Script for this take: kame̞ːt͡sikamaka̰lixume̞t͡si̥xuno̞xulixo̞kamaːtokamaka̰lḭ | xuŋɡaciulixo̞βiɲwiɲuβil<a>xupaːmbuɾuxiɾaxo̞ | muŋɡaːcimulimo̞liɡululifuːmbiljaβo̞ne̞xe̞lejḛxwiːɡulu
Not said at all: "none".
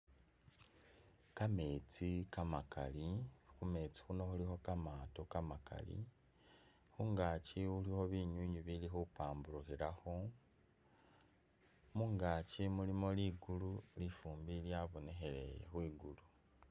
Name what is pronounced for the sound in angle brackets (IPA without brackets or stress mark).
i